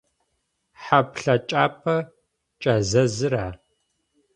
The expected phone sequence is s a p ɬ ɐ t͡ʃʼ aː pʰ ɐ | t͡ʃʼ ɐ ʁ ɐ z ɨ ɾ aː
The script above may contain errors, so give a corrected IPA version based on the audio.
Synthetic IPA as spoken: ħ a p ɬ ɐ t͡ʃʼ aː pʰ ɐ | t͡ʃʼ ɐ z ɐ z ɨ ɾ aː